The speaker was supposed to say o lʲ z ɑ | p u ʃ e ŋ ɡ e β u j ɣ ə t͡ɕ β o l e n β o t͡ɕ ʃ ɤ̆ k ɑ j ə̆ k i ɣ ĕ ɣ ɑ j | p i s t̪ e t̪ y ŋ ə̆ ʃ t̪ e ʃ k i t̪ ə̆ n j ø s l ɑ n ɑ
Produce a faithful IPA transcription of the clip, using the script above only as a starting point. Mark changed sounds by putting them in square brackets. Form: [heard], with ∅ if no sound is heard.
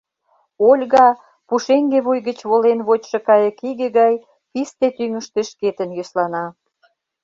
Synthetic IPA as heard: o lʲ [ɣ] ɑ | p u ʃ e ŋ ɡ e β u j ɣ ə t͡ɕ β o l e n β o t͡ɕ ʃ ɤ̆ k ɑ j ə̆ k i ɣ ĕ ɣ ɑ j | p i s t̪ e t̪ y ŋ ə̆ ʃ t̪ e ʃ k [e] t̪ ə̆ n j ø s l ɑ n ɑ